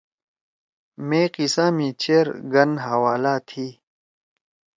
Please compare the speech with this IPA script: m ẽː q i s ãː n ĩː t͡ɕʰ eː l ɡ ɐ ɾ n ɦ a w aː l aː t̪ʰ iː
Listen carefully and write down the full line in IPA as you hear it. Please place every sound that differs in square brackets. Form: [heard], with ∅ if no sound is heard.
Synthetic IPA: m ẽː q i s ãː [m] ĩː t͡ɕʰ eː [ɾ] ɡ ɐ [∅] n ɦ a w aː l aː t̪ʰ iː